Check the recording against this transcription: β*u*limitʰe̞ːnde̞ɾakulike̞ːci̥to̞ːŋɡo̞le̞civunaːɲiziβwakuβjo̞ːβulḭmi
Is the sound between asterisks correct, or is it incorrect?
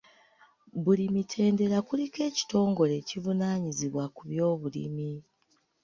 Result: correct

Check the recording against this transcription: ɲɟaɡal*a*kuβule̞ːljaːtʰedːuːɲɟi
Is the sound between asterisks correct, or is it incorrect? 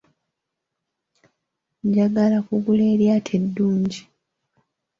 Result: correct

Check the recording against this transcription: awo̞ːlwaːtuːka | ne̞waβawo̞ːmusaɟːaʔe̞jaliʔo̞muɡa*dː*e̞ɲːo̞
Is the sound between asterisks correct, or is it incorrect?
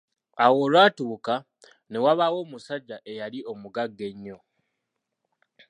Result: incorrect: ɡː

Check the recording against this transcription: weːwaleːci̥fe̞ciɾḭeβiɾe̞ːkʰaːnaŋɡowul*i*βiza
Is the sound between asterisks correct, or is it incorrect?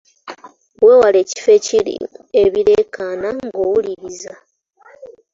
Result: correct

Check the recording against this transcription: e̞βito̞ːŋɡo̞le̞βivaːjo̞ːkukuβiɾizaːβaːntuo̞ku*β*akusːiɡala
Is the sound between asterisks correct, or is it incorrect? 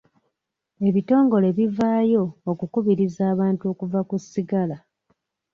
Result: incorrect: v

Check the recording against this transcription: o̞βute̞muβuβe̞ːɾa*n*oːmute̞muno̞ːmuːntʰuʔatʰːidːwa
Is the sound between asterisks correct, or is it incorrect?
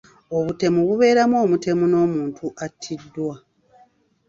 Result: incorrect: m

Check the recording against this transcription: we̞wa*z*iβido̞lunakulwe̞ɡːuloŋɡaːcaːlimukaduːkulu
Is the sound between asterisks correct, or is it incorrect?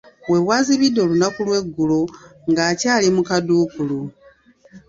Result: correct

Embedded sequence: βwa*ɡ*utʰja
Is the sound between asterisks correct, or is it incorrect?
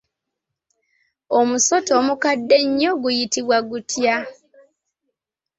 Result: correct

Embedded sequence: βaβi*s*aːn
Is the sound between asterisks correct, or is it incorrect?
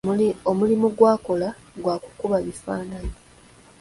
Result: incorrect: f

